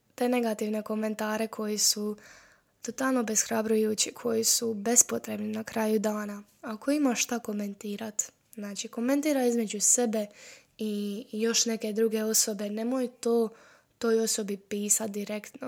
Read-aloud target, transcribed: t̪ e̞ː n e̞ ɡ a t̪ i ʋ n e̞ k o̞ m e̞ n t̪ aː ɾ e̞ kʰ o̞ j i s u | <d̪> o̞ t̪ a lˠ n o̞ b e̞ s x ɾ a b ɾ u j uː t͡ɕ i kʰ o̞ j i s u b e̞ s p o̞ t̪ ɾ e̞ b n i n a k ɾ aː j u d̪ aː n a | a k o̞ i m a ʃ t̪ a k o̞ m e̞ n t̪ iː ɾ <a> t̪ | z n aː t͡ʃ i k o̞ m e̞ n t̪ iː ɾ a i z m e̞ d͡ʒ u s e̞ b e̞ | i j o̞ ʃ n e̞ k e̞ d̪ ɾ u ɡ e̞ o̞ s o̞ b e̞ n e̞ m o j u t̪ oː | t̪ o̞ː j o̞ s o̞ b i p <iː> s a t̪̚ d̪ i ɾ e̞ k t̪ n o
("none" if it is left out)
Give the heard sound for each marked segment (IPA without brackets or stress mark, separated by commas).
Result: t̪, a, iː